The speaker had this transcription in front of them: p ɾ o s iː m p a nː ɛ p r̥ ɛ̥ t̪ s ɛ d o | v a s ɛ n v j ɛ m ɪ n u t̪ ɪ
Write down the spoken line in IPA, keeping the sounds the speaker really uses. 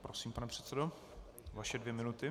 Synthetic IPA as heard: p ɾ o s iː m p a n ɛ p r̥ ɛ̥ t̪ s ɛ d o | v a ʃ ɛ d v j ɛ m ɪ n u t̪ ɪ

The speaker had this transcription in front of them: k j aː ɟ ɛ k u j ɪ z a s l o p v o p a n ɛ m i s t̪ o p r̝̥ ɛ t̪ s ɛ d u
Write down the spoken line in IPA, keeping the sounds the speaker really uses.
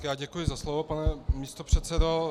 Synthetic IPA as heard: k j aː ɟ ɛ k u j ɪ z a s l o v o p a n ɛ m i s t̪ o p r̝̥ ɛ t̪ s ɛ d o

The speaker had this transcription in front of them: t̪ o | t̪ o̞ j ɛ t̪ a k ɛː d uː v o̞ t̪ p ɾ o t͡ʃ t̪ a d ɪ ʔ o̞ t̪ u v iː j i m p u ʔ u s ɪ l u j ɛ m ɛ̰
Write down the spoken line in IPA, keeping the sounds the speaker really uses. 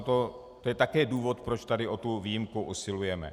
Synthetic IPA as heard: t̪ o | t̪ o̞ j ɛ t̪ a k ɛː d uː v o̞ t̪ p ɾ o t͡ʃ t̪ a d ɪ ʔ o̞ t̪ u v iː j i m k u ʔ u s ɪ l u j ɛ m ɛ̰

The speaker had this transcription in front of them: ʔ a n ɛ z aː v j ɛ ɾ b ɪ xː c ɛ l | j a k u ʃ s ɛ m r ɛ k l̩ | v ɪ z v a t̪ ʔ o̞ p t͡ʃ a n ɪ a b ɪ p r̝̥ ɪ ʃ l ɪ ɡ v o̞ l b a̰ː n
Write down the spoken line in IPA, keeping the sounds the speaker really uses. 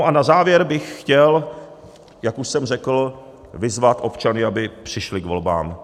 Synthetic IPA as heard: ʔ a n a z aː v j ɛ ɾ b ɪ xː c ɛ l | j a k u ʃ s ɛ m r ɛ k l̩ | v ɪ z v a t̪ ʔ o̞ p t͡ʃ a n ɪ a b ɪ p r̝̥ ɪ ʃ l ɪ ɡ v o̞ l b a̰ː m

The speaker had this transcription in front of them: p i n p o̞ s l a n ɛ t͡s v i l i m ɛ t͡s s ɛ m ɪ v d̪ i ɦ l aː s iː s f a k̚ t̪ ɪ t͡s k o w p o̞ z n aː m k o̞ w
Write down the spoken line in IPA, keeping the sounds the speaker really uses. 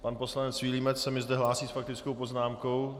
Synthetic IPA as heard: p a n p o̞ s l a n ɛ t͡s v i l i m ɛ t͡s s ɛ m ɪ z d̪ ɛ ɦ l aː s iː s f a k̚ t̪ ɪ t͡s k o w p o̞ z n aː m k o̞ w

